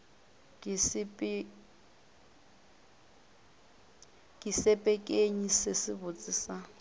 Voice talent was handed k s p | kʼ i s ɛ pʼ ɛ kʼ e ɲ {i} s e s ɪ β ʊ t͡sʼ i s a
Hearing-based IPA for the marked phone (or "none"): i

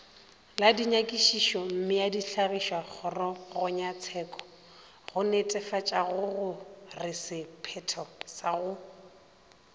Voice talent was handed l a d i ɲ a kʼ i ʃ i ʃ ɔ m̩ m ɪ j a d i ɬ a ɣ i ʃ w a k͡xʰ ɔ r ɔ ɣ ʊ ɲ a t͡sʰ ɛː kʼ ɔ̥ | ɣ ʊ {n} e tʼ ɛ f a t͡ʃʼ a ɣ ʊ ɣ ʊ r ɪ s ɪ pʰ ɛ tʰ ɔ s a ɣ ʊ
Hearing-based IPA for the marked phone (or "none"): n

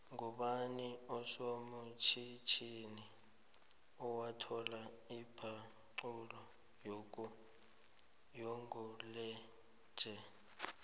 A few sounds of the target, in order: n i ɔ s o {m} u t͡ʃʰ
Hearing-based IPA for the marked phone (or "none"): m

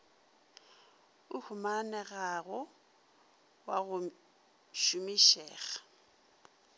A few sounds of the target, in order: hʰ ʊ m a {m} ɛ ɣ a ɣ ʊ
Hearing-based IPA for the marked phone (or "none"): n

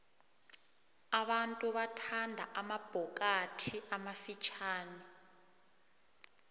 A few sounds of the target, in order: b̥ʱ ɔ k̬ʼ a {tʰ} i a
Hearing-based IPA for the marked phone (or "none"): tʰ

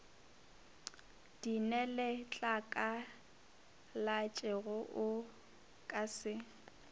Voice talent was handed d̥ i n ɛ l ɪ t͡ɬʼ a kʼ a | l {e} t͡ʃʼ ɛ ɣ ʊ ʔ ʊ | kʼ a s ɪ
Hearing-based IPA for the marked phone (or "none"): a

